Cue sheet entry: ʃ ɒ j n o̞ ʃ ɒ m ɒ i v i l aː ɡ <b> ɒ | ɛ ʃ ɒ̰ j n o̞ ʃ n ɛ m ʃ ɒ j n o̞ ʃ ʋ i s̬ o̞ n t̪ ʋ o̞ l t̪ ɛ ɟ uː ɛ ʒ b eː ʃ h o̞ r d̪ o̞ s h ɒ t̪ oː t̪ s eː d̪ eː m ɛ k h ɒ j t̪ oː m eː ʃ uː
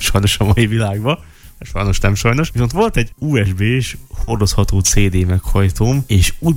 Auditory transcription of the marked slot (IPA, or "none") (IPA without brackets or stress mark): b